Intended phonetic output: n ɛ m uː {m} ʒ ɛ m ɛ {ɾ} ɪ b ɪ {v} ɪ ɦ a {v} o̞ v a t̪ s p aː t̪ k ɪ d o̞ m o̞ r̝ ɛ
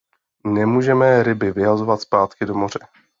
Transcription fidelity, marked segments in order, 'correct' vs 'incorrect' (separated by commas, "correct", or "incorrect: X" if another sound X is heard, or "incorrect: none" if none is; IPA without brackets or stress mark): incorrect: none, correct, correct, incorrect: z